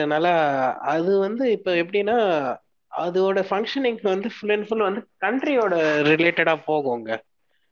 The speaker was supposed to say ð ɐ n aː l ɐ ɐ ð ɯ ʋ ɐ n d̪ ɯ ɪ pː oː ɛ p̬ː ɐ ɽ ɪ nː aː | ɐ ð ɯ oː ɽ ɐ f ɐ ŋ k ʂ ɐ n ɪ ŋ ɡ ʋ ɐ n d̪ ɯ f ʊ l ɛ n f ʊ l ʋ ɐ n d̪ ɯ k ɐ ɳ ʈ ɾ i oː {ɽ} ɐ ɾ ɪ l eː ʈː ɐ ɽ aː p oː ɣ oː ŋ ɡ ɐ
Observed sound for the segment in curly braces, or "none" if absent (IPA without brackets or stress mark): ɽ